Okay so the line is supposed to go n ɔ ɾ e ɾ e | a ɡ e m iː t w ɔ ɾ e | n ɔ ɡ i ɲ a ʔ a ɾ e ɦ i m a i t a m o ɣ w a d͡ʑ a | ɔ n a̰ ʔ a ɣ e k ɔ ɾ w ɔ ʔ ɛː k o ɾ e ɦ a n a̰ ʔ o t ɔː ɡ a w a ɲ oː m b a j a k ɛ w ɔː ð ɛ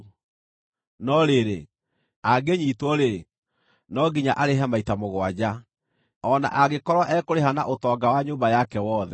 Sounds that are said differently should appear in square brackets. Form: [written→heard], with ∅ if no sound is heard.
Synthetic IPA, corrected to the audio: n ɔ ɾ e ɾ e | a ɡ e [m→ɲ] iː t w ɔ ɾ e | n ɔ ɡ i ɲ a ʔ a ɾ e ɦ [i→a] m a i t a m o ɣ w a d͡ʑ a | ɔ n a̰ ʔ a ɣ e k ɔ ɾ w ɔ ʔ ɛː k o ɾ e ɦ a n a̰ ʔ o t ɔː ɡ a w a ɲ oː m b a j a k ɛ w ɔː ð ɛ